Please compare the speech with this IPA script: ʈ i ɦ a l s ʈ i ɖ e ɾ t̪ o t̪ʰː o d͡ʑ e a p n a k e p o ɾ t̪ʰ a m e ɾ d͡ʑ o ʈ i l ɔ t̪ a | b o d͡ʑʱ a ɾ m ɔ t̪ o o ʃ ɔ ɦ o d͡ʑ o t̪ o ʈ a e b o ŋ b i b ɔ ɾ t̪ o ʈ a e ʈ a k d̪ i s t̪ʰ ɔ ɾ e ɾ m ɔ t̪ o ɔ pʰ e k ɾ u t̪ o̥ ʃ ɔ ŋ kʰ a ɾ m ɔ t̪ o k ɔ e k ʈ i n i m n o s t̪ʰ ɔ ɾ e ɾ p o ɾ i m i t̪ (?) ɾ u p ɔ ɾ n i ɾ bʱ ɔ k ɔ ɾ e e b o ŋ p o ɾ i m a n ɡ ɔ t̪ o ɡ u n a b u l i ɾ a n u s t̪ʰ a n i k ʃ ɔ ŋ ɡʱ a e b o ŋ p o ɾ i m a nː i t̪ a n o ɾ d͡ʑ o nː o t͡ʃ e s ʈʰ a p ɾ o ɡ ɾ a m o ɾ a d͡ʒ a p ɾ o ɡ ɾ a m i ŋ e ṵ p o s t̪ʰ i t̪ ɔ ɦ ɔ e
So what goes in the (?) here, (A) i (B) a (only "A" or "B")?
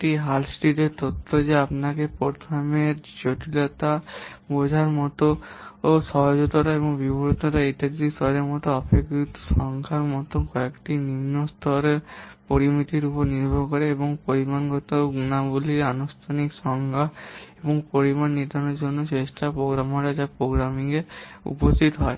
A